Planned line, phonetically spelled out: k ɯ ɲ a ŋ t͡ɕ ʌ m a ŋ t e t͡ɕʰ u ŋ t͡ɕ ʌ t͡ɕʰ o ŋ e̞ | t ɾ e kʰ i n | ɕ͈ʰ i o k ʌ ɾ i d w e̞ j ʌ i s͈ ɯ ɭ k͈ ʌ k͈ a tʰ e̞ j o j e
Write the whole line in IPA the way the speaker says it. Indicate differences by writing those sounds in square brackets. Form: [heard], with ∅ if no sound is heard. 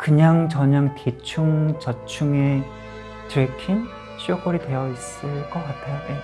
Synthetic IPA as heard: k ɯ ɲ a ŋ t͡ɕ ʌ [ɲ] a ŋ t e t͡ɕʰ u ŋ t͡ɕ ʌ t͡ɕʰ [u] ŋ e̞ | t ɾ e kʰ i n | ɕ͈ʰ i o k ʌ ɾ i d w e̞ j ʌ i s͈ ɯ ɭ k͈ ʌ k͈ a tʰ e̞ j o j e